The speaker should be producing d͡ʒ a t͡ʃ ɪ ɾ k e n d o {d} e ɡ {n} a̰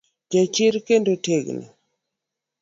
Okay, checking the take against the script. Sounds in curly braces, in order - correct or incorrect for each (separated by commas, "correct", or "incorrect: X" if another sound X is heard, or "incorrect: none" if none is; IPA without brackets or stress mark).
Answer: incorrect: t, correct